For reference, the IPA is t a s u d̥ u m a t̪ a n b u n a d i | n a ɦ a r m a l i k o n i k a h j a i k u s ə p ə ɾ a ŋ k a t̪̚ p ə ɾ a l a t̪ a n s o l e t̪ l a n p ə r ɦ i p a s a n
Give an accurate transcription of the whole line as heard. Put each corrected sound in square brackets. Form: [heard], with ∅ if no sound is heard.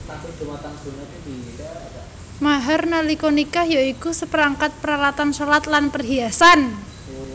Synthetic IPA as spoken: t a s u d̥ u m a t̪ a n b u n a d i | [m] a ɦ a r [n] a l i k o n i k a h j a i k u s ə p ə ɾ a ŋ k a t̪̚ p ə ɾ a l a t̪ a n s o l [a] t̪ l a n p ə r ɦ i [∅] a s a n